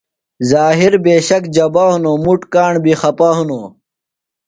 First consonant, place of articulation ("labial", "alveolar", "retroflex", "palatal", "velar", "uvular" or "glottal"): alveolar